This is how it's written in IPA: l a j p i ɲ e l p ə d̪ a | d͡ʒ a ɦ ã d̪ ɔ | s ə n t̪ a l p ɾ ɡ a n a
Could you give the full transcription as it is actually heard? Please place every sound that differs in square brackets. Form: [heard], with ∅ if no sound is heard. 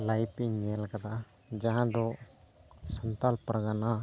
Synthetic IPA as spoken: l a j p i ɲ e l [k] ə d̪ a | d͡ʒ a ɦ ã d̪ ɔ | s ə n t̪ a l p ɾ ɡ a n a